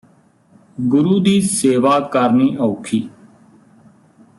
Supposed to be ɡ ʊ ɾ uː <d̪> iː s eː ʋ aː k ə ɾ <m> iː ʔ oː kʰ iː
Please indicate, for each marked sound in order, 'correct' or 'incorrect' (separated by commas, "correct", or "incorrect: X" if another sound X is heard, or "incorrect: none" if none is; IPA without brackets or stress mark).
correct, incorrect: n